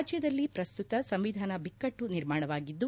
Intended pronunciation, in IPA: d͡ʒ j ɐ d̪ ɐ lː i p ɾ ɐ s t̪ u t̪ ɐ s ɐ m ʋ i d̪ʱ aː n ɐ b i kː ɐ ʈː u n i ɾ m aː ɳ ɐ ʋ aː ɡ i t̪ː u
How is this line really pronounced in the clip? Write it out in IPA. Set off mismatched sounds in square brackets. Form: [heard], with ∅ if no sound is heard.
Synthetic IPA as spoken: d͡ʒ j ɐ d̪ ɐ lː i p ɾ ɐ s t̪ u t̪ ɐ s ɐ m ʋ i d̪ʱ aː n ɐ b i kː ɐ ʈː u n i ɾ m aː ɳ ɐ ʋ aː ɡ i [d̪ː] u